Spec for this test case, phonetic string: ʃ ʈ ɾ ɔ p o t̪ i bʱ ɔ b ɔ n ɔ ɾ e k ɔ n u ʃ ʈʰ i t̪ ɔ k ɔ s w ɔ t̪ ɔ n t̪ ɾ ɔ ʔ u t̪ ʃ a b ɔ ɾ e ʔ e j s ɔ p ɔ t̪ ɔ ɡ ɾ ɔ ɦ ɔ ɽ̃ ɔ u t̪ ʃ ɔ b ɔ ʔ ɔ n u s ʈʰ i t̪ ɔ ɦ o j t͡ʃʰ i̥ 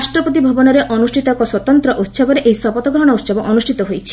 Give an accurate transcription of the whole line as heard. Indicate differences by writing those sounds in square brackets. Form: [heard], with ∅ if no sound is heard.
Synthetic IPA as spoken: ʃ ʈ ɾ ɔ p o t̪ i bʱ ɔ b ɔ n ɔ ɾ e [ʔ] ɔ n u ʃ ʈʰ i t̪ ɔ k ɔ s w ɔ t̪ ɔ n t̪ ɾ ɔ ʔ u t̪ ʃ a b ɔ ɾ e ʔ e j s ɔ p ɔ t̪ ɔ ɡ ɾ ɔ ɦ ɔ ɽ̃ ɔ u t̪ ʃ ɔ b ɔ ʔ ɔ n u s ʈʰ i t̪ ɔ ɦ o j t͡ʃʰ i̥